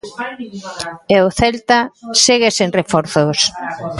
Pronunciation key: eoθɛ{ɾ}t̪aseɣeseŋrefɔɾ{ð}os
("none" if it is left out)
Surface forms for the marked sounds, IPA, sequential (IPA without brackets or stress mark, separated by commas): l, θ